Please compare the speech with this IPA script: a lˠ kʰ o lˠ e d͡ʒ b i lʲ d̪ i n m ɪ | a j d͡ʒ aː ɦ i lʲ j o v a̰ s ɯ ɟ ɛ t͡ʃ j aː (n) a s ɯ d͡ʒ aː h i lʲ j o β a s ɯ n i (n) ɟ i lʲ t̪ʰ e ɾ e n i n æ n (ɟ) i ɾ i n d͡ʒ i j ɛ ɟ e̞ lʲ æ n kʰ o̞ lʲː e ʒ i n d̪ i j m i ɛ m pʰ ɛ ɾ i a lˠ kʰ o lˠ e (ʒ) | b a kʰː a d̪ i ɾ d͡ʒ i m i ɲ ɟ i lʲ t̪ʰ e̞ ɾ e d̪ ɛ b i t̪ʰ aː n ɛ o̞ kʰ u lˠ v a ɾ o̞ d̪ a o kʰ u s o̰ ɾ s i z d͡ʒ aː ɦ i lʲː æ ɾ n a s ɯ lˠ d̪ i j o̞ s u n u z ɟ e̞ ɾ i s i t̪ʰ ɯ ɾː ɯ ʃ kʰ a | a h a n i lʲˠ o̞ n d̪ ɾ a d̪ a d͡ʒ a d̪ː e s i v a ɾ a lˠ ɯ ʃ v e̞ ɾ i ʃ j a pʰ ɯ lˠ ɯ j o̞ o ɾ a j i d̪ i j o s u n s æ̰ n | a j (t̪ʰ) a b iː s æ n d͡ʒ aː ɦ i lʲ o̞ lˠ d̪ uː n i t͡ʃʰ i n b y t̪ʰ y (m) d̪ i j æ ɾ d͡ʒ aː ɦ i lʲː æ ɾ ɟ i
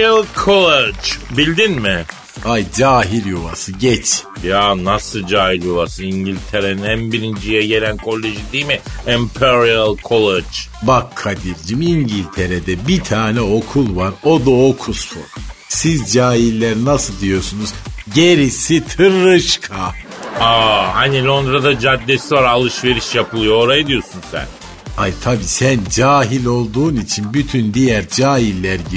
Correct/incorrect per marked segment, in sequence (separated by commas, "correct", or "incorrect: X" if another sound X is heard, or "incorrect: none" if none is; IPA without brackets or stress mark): correct, incorrect: ɲ, incorrect: b, incorrect: d͡ʒ, correct, incorrect: n